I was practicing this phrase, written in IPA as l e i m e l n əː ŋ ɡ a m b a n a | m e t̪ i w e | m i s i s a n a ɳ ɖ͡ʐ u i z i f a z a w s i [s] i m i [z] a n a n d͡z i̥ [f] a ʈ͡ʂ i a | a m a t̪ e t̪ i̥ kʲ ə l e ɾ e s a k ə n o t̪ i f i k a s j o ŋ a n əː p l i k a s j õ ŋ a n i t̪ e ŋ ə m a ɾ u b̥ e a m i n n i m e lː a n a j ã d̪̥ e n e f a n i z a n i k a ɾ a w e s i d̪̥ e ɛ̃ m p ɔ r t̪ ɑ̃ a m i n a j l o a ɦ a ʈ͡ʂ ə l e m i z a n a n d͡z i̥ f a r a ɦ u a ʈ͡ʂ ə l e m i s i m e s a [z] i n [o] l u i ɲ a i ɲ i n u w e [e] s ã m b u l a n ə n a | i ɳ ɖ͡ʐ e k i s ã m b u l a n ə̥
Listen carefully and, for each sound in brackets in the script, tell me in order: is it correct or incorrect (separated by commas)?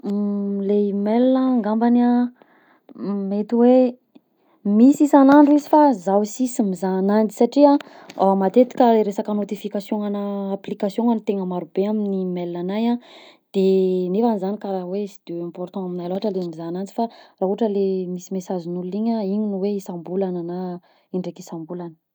correct, correct, incorrect, correct, incorrect, incorrect